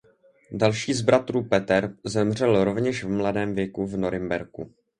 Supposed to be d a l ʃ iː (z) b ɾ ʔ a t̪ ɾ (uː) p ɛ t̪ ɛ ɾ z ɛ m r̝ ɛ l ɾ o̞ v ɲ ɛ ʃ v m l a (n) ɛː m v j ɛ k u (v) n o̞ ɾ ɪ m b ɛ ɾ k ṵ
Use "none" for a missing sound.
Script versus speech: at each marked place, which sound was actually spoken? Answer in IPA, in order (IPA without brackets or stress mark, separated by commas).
z, uː, d, v